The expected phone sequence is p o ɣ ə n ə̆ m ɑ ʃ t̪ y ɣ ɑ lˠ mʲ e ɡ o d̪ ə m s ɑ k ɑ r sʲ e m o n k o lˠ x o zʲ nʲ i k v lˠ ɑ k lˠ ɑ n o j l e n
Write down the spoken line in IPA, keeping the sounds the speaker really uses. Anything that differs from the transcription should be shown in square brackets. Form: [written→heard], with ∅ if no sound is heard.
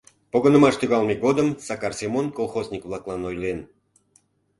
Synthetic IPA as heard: p o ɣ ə n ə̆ m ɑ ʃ t̪ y ɣ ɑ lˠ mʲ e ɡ o d̪ ə m s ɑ k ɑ r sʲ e m o n k o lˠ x o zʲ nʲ i k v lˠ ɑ k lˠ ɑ n o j l e n